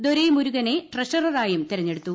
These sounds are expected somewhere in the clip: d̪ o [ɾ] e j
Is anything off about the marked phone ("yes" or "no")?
no